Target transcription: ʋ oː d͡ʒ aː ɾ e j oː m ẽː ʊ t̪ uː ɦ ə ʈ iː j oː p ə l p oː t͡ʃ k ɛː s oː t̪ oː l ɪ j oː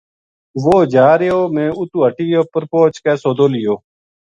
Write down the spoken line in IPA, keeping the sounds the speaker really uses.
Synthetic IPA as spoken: ʋ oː d͡ʒ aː ɾ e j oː m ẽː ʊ t̪ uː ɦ ə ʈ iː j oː p ə ɾ p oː t͡ʃ k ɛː s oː d̪ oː l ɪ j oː